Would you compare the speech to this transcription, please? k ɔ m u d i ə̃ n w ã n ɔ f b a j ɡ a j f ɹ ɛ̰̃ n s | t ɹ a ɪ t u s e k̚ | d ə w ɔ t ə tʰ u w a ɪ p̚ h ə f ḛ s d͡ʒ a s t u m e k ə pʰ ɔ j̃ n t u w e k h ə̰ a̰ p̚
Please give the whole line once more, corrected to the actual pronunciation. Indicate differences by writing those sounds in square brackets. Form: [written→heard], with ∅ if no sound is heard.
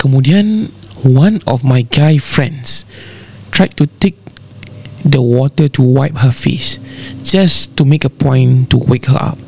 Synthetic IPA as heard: k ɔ m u d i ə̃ n w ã n ɔ f [b→m] a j ɡ a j f ɹ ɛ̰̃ n s | t ɹ a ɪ t u [s→t] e k̚ | d ə w ɔ t ə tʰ u w a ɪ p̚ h ə f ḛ s d͡ʒ a s t u m e k ə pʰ [ɔ→ɔ̃] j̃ n t u w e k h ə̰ a̰ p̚